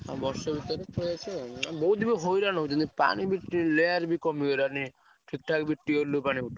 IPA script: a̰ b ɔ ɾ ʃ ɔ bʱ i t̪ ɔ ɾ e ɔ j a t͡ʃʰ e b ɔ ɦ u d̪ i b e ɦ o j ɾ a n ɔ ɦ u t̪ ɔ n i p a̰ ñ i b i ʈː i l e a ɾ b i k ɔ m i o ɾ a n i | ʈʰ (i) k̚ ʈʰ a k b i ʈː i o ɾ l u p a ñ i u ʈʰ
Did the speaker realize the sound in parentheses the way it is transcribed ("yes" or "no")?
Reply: yes